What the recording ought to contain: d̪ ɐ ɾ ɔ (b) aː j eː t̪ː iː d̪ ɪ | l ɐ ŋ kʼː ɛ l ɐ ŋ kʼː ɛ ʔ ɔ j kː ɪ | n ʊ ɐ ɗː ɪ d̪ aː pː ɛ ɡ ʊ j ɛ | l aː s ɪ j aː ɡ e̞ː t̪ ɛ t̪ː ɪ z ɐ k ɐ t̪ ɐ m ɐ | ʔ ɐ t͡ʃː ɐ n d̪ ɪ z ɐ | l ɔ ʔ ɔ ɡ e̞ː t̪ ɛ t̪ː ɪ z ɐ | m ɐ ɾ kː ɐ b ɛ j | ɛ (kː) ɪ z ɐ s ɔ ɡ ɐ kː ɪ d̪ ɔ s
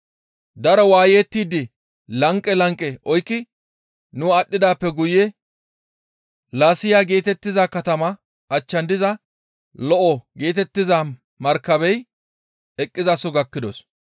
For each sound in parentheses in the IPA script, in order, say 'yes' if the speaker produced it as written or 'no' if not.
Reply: no, no

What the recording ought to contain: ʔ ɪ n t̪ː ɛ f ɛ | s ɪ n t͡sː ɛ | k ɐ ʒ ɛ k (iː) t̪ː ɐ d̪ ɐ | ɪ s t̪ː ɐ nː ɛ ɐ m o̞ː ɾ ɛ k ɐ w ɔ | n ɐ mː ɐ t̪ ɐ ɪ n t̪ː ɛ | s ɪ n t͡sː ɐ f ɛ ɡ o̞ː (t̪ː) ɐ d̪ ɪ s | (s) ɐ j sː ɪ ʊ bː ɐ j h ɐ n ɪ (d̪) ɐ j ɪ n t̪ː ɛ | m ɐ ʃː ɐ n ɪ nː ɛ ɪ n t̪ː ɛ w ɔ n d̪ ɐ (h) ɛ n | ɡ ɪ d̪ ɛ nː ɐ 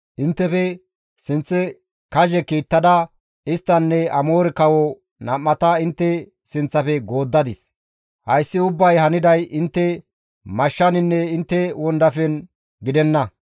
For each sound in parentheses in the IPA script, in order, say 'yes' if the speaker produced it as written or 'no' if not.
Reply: yes, no, no, yes, no

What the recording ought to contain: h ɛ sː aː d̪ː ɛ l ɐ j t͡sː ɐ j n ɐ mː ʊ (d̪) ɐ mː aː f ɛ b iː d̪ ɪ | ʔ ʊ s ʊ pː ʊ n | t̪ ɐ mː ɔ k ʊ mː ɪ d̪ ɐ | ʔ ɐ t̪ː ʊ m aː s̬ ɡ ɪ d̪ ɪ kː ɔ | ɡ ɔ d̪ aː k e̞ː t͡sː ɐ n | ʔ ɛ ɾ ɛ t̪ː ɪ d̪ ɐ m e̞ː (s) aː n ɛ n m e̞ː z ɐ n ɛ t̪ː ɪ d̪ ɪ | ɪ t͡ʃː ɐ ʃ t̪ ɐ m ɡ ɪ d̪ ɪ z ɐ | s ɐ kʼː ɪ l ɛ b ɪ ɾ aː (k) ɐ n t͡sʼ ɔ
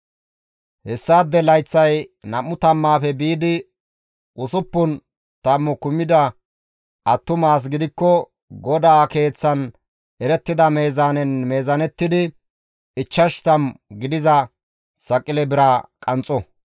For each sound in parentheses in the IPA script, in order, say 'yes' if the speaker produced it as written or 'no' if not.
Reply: no, no, no

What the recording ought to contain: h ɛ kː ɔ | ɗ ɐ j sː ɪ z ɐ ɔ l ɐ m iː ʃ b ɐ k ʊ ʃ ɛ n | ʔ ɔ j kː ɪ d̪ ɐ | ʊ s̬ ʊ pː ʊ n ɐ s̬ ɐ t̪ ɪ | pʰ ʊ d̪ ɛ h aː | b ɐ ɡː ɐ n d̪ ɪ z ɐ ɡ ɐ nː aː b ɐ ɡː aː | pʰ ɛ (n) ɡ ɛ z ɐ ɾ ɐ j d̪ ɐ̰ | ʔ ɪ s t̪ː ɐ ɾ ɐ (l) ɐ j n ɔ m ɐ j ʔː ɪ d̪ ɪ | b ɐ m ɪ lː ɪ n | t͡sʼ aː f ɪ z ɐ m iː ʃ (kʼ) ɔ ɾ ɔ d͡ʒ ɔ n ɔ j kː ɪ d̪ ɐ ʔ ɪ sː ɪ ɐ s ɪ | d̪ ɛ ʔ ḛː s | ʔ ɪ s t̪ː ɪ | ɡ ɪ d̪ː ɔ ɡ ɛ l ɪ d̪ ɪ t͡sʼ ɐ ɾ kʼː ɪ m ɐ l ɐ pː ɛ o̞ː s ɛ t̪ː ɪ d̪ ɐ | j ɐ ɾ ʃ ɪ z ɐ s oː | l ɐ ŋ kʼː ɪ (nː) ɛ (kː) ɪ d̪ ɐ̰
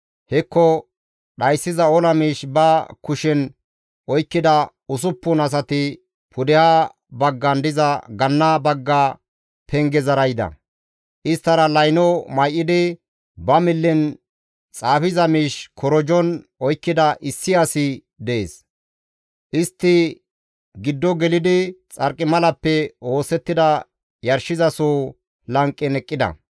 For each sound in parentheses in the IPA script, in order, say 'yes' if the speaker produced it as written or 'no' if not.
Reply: no, yes, no, no, no

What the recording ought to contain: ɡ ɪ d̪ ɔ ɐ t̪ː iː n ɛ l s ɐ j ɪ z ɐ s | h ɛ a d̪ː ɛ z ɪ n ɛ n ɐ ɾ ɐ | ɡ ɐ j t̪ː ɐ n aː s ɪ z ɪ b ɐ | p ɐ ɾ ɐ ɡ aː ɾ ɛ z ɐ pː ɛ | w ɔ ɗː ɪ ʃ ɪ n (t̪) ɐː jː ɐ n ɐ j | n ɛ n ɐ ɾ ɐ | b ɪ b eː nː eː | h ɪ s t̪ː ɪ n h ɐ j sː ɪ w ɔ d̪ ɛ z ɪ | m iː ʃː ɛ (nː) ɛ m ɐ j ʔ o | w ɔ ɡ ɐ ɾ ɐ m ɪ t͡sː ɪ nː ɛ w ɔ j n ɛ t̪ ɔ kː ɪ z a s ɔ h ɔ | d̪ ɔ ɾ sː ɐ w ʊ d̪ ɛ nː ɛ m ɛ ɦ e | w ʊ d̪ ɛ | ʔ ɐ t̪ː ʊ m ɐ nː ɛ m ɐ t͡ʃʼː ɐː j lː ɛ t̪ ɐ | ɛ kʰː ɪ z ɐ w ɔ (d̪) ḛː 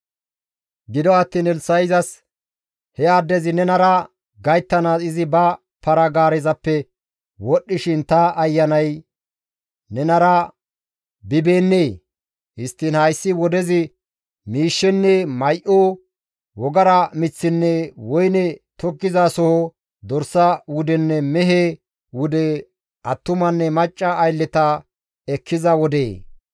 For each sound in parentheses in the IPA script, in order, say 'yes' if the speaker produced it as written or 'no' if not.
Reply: yes, yes, yes

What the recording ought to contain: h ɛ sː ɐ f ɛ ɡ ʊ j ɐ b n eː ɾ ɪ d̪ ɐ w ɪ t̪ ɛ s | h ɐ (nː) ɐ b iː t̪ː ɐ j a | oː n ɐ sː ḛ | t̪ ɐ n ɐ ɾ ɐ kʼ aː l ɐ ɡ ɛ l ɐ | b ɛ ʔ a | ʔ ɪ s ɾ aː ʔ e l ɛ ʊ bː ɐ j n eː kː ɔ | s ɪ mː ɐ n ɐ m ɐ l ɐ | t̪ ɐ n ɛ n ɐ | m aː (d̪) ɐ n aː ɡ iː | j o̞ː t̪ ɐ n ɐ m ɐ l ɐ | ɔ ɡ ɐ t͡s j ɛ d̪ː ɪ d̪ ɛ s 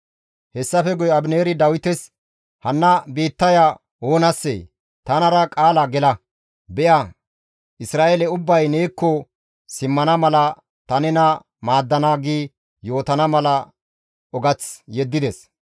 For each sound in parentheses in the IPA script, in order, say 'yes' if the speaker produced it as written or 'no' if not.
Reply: yes, no

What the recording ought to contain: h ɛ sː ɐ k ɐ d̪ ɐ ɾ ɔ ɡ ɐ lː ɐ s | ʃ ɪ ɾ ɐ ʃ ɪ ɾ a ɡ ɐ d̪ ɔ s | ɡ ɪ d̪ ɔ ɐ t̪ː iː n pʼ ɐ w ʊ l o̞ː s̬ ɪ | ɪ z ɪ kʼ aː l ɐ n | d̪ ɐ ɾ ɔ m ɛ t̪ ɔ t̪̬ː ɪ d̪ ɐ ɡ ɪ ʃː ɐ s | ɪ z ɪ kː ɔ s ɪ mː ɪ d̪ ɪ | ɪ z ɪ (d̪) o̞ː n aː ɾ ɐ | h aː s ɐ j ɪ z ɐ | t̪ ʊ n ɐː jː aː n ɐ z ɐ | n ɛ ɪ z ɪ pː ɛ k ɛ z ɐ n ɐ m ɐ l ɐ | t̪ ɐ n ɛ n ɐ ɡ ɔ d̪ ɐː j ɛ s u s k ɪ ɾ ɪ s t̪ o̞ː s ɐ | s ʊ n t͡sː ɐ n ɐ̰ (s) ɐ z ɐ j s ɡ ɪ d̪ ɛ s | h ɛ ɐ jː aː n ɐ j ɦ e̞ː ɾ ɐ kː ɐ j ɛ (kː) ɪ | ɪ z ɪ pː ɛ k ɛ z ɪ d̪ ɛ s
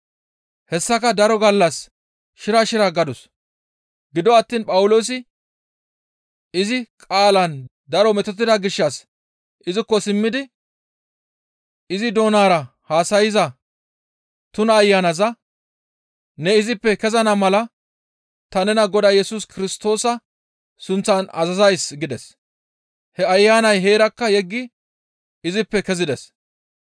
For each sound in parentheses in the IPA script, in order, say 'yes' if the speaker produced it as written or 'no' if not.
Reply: yes, no, no

